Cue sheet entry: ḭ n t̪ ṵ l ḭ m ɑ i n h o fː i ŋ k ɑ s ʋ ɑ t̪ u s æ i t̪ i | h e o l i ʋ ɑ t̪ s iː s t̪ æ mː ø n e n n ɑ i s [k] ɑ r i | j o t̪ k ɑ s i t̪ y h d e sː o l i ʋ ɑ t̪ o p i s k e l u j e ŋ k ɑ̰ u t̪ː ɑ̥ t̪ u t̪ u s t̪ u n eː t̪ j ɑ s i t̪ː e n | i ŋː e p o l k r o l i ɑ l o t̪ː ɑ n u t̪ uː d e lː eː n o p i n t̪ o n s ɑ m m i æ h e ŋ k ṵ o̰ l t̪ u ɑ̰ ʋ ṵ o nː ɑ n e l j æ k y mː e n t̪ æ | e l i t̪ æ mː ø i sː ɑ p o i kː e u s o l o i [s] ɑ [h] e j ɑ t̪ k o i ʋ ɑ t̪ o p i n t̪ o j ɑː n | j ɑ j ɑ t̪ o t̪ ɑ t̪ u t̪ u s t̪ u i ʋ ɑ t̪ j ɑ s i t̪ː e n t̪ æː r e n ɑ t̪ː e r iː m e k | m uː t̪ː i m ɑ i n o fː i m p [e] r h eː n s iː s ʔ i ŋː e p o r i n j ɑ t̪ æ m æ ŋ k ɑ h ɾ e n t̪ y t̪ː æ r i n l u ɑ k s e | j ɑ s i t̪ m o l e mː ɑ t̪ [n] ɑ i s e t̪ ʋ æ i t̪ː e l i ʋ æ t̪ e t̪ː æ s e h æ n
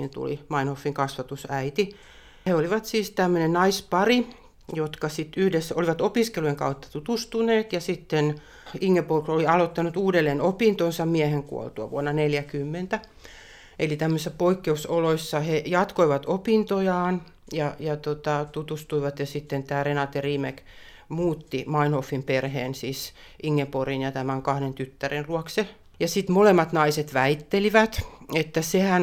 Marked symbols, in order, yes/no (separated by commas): no, no, yes, yes, yes